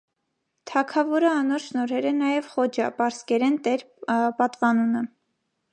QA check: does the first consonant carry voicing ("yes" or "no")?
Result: no